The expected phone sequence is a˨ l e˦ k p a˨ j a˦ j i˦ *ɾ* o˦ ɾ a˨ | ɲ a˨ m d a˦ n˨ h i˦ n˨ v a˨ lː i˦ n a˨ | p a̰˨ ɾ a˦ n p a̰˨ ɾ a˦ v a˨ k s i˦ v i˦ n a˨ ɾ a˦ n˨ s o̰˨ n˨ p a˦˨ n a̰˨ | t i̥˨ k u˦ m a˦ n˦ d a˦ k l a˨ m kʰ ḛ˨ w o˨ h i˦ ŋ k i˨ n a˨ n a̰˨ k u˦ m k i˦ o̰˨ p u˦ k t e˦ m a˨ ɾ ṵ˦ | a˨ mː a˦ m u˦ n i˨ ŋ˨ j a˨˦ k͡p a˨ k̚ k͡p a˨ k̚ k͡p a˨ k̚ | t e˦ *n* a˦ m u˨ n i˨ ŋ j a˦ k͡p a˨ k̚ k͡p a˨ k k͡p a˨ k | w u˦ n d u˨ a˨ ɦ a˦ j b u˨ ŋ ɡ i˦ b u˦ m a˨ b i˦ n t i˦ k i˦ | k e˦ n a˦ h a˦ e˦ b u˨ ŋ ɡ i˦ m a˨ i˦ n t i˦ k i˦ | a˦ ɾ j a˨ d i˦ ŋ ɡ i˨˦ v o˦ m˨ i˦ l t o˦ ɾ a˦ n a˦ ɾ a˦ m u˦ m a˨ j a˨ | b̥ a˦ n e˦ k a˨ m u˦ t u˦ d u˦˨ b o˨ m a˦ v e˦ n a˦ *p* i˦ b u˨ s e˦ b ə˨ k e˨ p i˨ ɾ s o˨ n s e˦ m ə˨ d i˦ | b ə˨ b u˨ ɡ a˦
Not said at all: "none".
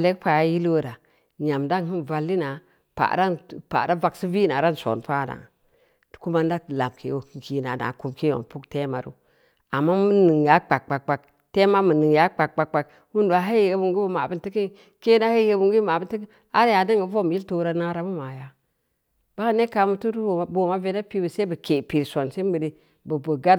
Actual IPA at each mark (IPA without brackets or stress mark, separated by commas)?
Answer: l, m, p